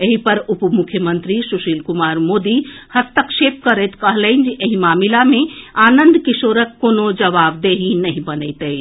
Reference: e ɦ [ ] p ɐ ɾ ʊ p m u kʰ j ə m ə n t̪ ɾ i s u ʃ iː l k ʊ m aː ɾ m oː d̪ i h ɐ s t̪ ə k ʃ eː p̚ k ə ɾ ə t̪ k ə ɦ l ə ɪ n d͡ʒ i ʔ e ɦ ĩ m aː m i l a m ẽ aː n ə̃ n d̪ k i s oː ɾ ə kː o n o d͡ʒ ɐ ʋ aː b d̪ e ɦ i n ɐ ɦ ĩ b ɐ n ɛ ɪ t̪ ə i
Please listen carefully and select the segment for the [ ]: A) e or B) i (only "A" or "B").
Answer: B